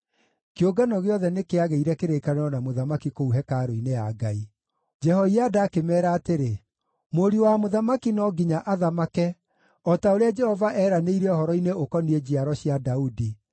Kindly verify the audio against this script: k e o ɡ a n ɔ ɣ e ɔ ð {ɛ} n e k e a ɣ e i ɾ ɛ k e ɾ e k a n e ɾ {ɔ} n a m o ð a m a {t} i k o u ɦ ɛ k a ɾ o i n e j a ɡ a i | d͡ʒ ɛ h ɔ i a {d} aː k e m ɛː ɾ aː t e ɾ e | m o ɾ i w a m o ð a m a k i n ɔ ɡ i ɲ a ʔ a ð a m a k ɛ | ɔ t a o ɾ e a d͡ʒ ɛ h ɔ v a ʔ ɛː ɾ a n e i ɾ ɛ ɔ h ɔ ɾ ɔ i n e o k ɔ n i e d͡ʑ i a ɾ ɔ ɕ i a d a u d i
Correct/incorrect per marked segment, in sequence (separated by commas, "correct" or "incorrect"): correct, correct, incorrect, correct